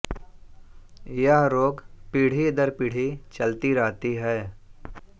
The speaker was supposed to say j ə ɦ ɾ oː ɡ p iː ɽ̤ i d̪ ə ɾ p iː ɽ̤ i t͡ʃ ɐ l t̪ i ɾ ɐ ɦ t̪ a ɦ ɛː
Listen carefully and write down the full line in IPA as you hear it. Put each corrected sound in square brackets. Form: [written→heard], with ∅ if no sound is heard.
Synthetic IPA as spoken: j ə ɦ ɾ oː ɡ p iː ɽ̤ i d̪ ə ɾ p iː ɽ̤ i t͡ʃ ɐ l t̪ i ɾ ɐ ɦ t̪ [a→i] ɦ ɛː